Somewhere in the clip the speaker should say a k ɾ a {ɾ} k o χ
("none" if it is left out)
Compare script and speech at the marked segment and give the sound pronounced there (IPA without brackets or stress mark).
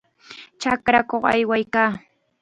none